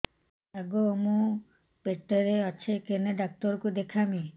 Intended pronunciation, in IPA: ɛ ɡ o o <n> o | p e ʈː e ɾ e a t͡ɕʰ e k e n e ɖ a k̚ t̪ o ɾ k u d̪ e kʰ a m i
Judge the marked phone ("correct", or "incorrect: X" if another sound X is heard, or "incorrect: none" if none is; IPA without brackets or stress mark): incorrect: m